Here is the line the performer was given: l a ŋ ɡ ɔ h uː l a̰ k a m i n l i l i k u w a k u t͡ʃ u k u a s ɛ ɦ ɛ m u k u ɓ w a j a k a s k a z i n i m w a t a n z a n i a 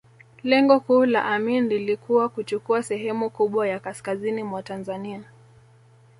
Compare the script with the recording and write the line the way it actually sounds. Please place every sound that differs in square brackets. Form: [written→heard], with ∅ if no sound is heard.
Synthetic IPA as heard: l [a→ɛ] ŋ ɡ ɔ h uː l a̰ [k→ʔ] a m i n l i l i k u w a k u t͡ʃ u k u a s ɛ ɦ ɛ m u k u ɓ w a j a k a s k a z i n i m w a t a n z a n i a